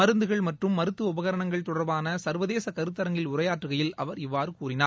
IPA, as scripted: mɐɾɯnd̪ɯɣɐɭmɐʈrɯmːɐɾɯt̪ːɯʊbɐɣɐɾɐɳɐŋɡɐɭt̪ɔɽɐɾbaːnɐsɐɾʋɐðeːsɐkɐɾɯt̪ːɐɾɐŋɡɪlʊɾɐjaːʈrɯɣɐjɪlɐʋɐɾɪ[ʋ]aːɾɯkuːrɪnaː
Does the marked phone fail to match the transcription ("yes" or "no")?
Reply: yes